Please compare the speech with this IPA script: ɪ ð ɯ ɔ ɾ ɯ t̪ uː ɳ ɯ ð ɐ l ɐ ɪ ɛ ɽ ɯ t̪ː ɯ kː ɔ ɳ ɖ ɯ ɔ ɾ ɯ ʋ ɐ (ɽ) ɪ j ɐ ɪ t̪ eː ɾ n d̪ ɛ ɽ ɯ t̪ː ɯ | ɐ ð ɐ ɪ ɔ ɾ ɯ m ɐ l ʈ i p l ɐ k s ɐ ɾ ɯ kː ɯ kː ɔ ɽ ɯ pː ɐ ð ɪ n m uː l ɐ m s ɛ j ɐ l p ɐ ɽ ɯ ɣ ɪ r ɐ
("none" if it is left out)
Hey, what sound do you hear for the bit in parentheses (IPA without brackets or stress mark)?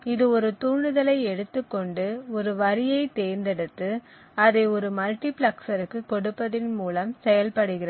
ɾ